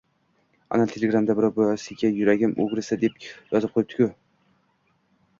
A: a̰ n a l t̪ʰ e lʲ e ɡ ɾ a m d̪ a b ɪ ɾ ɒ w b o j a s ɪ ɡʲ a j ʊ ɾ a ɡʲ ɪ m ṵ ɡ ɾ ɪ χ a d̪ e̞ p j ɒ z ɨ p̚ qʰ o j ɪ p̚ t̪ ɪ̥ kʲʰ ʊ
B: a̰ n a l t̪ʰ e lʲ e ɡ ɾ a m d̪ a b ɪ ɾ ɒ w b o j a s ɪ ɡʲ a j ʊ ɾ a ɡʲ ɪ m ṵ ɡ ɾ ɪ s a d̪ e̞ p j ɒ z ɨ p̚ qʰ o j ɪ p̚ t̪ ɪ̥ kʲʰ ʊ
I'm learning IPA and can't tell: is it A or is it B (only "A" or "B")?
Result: B